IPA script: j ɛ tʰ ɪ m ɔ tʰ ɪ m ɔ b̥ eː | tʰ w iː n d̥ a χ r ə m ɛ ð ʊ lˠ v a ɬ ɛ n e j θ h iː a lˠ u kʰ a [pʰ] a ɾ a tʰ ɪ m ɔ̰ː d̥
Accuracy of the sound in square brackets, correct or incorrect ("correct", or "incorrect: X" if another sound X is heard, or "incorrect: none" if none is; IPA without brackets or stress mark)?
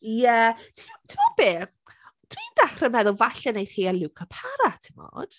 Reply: correct